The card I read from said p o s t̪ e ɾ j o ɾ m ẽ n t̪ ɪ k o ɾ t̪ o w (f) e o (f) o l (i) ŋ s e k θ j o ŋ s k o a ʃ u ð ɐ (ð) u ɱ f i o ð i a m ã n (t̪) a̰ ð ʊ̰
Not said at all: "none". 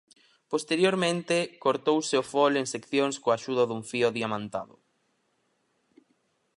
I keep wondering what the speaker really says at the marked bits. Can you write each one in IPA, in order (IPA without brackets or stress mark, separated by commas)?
s, f, e, ð, t̪